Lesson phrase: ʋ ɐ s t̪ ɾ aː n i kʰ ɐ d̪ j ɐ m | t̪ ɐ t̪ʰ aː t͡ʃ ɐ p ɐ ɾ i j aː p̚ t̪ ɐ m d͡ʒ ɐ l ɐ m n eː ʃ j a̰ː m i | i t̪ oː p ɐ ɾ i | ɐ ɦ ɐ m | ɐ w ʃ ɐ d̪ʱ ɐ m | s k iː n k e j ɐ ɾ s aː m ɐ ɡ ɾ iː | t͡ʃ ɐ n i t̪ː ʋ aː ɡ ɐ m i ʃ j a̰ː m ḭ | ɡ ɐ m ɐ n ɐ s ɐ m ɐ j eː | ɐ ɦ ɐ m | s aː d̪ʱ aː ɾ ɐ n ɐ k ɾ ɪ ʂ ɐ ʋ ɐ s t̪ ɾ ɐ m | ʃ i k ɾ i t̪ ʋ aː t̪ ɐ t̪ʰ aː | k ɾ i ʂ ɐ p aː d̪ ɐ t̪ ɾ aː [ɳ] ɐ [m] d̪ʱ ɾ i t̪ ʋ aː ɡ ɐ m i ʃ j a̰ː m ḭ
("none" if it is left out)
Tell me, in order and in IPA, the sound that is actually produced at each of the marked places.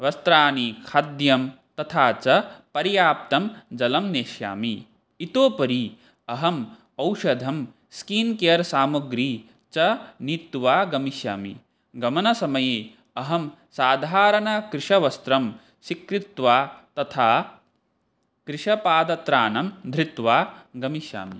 n, m

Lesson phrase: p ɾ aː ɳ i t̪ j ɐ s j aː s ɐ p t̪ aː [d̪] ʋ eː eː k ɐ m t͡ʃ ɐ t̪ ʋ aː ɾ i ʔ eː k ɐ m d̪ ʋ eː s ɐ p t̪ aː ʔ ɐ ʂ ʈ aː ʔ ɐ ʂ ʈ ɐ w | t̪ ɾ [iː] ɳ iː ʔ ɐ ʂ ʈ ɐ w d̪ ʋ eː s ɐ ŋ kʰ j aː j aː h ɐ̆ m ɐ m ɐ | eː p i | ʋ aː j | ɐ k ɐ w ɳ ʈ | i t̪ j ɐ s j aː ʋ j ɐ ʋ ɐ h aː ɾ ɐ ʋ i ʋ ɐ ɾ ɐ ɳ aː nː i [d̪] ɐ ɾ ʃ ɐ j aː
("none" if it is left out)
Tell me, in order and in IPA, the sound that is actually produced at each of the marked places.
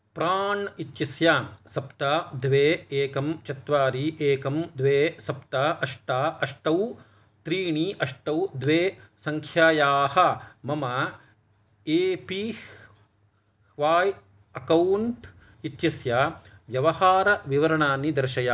d̪, iː, d̪

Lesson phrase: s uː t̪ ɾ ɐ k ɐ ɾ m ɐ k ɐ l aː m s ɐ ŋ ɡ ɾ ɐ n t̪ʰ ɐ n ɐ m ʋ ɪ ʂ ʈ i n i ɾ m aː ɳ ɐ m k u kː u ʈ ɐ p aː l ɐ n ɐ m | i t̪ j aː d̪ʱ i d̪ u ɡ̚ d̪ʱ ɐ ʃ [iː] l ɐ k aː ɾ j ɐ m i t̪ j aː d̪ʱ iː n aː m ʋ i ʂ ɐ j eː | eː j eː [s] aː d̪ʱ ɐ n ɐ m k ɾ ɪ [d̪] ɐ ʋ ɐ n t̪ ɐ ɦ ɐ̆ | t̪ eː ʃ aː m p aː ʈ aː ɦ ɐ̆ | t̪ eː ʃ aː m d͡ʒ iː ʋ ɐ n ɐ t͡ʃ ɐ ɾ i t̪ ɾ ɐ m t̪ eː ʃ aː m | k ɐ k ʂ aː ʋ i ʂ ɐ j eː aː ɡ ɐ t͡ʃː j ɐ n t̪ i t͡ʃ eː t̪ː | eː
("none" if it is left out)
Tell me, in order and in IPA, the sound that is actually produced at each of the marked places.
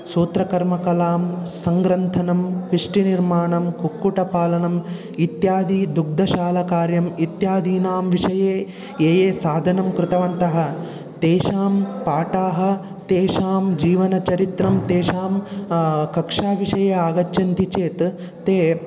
aː, s, t̪

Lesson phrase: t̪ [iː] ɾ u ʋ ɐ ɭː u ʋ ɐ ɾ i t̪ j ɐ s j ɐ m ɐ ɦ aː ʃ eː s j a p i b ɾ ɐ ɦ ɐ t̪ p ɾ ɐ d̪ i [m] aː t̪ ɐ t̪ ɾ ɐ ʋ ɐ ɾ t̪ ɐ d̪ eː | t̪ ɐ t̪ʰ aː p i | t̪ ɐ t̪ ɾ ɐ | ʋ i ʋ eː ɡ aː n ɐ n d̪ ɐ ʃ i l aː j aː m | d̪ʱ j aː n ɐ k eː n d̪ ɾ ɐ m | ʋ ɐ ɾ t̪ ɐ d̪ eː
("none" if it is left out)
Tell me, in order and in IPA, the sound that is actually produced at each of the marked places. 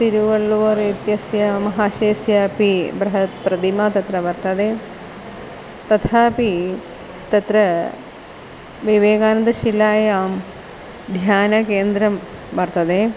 i, m

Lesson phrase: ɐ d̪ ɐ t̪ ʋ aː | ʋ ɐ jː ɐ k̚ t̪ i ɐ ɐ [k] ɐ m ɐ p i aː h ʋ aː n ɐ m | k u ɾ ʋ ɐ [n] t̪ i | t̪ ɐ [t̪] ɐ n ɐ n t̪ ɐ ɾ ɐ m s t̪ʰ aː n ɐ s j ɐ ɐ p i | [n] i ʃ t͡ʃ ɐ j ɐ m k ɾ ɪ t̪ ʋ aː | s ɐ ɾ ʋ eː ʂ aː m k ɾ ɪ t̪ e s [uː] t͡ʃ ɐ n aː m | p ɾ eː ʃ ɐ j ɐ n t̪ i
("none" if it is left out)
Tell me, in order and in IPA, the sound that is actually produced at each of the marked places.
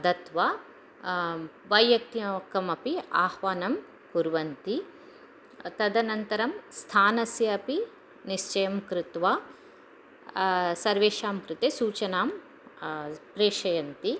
k, n, d̪, n, uː

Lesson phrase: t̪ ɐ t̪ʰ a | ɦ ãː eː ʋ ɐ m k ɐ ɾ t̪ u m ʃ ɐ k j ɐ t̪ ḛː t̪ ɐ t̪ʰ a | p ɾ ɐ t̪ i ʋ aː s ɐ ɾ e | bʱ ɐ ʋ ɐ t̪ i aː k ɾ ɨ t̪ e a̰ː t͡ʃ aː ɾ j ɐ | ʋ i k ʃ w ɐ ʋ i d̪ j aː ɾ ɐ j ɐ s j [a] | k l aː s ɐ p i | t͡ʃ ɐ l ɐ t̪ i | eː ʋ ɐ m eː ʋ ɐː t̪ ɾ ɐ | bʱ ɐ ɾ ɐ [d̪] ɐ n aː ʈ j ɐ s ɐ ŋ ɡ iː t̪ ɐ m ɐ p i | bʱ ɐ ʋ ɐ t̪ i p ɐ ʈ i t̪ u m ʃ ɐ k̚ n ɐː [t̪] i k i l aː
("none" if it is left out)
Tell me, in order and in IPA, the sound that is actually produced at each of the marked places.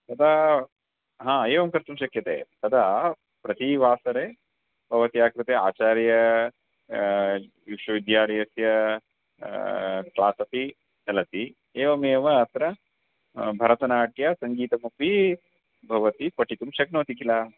ɐ, t̪, t̪

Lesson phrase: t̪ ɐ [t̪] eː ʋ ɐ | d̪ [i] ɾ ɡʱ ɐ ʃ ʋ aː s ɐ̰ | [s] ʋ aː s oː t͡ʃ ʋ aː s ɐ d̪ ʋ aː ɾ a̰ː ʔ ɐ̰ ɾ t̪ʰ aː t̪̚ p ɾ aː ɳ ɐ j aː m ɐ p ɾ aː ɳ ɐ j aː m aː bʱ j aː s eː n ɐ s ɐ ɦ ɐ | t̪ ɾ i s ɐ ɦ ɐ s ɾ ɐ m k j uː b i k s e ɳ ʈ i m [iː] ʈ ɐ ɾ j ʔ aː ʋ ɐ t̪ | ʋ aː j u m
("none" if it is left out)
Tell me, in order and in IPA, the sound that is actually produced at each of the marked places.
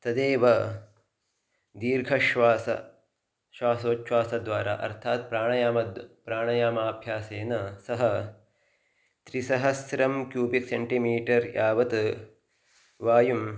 d̪, iː, ʃ, iː

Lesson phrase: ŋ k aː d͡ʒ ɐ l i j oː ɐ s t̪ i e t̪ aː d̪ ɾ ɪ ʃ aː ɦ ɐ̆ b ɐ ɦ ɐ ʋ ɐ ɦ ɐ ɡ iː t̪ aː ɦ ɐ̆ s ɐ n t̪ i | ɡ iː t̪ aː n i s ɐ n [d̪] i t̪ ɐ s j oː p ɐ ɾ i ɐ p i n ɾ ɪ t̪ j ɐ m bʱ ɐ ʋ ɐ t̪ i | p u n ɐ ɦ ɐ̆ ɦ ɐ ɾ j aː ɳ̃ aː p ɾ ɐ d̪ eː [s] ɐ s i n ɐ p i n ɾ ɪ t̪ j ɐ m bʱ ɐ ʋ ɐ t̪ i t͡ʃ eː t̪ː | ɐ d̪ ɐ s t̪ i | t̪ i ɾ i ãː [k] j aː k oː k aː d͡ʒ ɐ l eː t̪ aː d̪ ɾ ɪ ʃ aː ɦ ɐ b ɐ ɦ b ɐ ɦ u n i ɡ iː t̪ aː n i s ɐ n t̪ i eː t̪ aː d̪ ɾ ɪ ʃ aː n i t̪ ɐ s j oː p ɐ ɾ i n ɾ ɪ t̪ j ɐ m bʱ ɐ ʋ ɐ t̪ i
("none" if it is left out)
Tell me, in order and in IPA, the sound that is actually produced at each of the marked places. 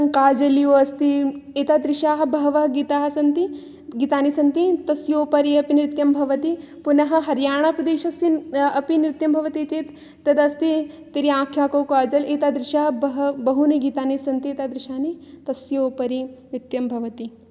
t̪, ʃ, kʰ

